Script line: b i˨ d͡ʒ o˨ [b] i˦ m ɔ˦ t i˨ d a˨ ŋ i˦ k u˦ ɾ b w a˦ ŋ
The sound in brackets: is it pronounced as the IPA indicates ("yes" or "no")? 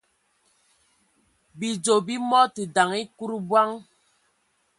yes